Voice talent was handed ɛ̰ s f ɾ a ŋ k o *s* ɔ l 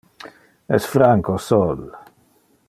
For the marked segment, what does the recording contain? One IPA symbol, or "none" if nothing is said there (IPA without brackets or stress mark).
s